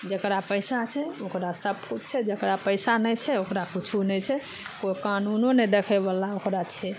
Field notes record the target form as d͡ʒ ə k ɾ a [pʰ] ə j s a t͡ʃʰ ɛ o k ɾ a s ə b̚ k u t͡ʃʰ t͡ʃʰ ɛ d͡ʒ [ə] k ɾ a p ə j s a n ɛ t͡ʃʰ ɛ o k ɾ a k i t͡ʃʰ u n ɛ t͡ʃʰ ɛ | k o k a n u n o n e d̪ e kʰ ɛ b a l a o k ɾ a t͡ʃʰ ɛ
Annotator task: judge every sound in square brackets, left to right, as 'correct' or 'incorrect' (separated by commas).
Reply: incorrect, correct